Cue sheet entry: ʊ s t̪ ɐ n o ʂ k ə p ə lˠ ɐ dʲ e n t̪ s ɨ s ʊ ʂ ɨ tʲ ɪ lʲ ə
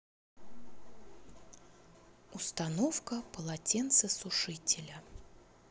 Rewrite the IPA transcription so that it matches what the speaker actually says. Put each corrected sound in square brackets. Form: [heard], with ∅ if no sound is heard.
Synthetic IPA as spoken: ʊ s t̪ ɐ n o [f] k ə p ə lˠ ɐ [tʲ] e n t̪ s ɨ s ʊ ʂ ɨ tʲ ɪ lʲ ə